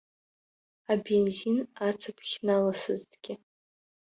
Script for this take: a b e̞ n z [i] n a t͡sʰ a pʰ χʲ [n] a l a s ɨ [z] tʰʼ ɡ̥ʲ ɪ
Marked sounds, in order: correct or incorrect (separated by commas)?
correct, correct, correct